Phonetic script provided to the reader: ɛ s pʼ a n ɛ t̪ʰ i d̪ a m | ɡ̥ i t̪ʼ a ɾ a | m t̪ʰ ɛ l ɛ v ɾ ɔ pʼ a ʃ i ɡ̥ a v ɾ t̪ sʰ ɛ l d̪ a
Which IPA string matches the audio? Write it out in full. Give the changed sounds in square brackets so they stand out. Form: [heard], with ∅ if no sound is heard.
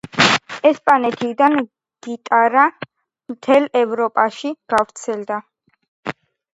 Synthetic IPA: ɛ s pʼ a n ɛ t̪ʰ i d̪ a [n] | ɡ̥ i t̪ʼ a ɾ a | m t̪ʰ ɛ l ɛ v ɾ ɔ pʼ a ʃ i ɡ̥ a v ɾ t̪ sʰ ɛ l d̪ a